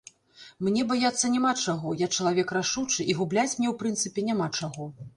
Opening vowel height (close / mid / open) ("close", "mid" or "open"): mid